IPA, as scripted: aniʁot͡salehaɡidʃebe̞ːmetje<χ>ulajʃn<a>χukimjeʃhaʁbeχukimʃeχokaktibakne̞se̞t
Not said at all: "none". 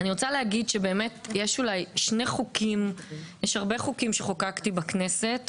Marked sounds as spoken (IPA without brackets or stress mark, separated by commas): ʃ, e